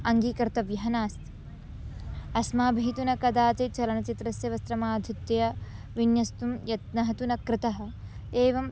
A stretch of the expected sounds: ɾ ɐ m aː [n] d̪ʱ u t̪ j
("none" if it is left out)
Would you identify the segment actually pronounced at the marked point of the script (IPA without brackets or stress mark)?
none